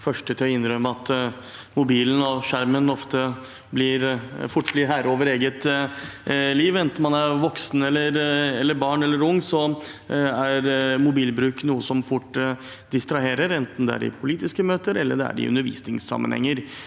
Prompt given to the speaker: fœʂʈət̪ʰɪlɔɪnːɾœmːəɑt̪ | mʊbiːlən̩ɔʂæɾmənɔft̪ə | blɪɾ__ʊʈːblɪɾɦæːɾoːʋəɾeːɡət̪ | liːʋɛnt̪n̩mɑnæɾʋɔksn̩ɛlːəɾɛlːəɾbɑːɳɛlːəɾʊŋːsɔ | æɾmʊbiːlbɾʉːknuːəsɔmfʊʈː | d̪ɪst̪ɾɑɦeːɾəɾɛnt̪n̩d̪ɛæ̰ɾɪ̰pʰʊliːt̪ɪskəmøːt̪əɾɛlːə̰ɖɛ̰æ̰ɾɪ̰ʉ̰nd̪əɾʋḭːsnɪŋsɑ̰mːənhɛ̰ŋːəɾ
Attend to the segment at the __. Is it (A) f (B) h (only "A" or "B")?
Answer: A